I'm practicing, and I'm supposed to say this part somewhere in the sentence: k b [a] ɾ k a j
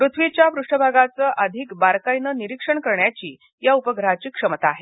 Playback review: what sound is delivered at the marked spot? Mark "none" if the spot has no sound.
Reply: a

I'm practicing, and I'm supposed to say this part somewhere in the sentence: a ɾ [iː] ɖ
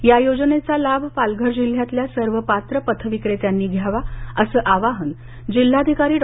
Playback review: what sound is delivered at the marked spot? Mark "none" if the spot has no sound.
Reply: iː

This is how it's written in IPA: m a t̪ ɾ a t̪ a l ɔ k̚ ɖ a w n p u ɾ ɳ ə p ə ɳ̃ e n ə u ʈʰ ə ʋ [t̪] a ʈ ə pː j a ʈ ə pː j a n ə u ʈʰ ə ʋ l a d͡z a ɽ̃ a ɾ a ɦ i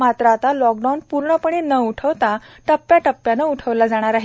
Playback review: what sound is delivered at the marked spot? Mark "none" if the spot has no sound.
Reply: t̪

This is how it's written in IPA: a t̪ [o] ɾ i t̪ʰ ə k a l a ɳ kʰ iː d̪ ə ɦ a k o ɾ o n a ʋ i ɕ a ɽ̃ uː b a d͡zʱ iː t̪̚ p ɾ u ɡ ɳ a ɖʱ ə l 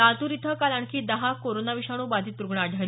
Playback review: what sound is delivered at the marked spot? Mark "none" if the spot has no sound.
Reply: u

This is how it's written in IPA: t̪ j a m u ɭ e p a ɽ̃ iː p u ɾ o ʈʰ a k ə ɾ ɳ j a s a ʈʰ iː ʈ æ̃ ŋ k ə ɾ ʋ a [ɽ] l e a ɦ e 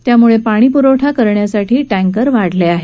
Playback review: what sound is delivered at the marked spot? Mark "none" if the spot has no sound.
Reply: ɽ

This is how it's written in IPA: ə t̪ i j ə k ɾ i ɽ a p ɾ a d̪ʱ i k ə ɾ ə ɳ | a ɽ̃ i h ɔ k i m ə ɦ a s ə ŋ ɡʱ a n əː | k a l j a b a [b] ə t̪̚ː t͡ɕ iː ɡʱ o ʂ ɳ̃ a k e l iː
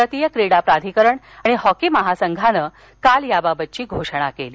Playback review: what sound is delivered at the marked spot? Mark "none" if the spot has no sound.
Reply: b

